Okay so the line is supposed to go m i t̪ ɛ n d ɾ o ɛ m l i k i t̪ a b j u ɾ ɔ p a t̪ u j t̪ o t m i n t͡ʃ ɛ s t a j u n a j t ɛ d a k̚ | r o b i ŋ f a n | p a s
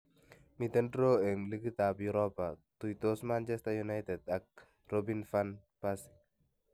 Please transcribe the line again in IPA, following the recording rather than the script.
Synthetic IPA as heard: m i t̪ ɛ n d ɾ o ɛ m l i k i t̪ a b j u ɾ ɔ p a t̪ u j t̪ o s m a n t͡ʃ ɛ s t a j u n a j t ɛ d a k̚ | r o b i n f a n | p a s